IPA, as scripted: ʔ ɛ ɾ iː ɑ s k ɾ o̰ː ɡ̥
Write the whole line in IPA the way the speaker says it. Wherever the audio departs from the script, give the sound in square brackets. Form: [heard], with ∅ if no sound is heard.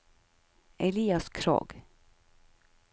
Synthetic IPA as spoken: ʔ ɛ [l] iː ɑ s [kʰ] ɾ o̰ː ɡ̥